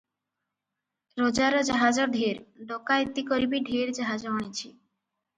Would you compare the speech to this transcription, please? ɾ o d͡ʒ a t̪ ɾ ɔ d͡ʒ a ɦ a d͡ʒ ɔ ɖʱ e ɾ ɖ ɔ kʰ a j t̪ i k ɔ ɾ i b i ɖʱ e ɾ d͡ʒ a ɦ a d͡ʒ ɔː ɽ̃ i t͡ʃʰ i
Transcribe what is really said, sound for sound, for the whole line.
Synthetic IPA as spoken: ɾ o d͡ʒ a ɾ ɔ d͡ʒ a ɦ a d͡ʒ ɔ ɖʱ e ɾ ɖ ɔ k a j t̪ i k ɔ ɾ i b i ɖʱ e ɾ d͡ʒ a ɦ a d͡ʒ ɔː ɽ̃ i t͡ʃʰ i